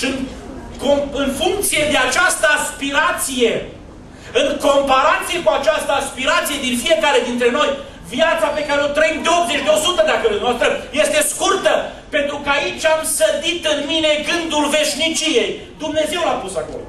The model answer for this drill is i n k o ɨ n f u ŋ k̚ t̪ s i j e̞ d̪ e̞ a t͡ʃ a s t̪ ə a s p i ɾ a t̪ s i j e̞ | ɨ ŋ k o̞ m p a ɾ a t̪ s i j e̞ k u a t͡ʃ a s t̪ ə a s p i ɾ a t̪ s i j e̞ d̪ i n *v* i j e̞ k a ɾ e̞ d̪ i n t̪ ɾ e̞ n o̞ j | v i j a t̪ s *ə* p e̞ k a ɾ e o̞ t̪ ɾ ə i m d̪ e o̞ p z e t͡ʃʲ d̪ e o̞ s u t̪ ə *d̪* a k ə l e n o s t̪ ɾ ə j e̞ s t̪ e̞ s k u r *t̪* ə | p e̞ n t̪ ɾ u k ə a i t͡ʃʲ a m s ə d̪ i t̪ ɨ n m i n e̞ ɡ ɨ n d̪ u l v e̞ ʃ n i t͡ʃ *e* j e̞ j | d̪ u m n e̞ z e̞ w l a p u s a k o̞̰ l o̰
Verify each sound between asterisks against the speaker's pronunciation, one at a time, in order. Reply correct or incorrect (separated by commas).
incorrect, incorrect, correct, correct, incorrect